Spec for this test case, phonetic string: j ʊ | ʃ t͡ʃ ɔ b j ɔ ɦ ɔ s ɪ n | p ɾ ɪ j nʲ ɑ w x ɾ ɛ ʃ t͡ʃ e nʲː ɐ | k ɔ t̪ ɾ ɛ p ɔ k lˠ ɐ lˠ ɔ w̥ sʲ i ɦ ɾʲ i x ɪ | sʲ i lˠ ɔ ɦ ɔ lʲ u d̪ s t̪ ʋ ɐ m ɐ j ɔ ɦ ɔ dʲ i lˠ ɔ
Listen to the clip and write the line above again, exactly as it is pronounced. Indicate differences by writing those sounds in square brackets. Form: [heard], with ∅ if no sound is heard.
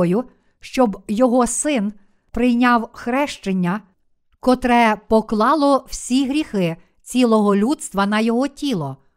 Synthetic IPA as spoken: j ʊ | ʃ t͡ʃ ɔ b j ɔ ɦ ɔ s ɪ n | p ɾ ɪ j nʲ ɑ w x ɾ ɛ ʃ t͡ʃ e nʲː ɐ | k ɔ t̪ ɾ ɛ p ɔ k lˠ [ɑ] lˠ ɔ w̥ sʲ i ɦ ɾʲ i x ɪ | [t͡sʲ] i lˠ ɔ ɦ ɔ lʲ u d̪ s t̪ ʋ ɐ [n] ɐ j ɔ ɦ ɔ [tʲ] i lˠ ɔ